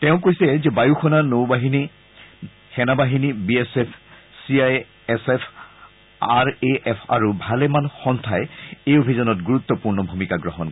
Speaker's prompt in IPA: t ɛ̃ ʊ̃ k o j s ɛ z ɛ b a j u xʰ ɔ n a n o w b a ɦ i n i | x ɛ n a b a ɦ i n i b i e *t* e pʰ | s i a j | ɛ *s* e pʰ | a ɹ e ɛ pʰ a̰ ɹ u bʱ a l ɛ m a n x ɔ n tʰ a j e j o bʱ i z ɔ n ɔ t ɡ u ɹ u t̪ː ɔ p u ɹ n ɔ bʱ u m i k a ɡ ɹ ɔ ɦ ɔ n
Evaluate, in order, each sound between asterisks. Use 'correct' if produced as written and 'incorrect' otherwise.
incorrect: s, correct

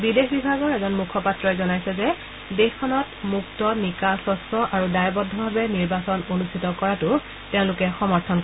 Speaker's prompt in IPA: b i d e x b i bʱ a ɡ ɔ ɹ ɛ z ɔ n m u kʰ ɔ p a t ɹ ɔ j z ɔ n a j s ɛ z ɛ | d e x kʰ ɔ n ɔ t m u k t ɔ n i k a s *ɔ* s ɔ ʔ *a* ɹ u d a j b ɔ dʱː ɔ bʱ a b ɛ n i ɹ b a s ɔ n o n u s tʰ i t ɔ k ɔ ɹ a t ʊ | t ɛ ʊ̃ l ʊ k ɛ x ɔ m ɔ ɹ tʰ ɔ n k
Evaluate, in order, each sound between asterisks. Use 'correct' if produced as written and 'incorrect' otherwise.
correct, correct

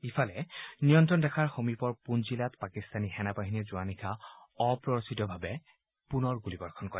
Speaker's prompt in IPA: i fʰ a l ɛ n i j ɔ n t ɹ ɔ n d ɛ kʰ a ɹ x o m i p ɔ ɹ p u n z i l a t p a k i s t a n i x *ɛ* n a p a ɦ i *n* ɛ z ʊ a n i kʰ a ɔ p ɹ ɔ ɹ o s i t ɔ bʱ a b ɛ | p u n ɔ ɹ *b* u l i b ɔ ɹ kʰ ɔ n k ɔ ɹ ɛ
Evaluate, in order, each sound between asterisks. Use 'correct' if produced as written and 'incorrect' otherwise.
correct, correct, incorrect: ɡ

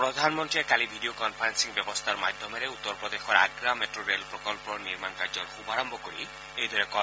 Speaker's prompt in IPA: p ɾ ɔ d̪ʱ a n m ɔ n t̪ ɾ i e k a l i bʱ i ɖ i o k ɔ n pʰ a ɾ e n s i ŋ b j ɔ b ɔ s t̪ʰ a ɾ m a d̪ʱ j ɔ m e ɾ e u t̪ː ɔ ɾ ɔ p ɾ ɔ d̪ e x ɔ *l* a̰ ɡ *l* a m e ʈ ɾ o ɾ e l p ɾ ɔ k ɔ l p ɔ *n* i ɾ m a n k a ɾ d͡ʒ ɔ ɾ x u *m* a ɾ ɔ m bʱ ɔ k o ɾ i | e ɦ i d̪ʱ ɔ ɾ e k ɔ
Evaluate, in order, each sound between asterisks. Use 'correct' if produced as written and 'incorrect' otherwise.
incorrect: ɾ, incorrect: ɾ, correct, incorrect: b

